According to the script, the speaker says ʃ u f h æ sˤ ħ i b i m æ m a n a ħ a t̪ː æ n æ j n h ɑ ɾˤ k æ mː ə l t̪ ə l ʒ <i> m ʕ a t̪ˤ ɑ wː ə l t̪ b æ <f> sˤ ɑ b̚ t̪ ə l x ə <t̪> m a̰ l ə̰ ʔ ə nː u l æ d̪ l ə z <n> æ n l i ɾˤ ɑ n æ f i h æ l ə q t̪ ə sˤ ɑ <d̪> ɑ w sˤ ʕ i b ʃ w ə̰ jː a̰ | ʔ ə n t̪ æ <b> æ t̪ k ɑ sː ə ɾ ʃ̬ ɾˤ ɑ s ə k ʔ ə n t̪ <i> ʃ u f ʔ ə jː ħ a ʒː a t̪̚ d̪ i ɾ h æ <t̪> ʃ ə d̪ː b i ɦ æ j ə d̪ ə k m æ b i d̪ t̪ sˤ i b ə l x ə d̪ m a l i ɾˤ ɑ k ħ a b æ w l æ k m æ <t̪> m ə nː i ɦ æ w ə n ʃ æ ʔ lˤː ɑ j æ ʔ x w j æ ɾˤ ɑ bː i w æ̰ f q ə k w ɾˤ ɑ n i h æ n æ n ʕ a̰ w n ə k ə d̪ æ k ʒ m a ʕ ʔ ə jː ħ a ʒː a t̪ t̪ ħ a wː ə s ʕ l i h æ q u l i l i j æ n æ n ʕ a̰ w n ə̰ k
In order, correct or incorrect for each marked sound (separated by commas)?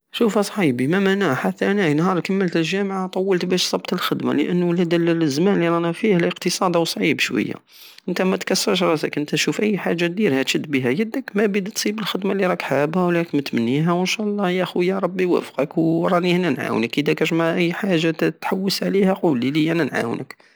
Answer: incorrect, incorrect, incorrect, incorrect, correct, incorrect, incorrect, correct, correct